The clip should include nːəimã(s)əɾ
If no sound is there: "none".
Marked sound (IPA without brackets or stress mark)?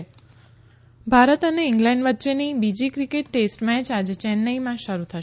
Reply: ʃ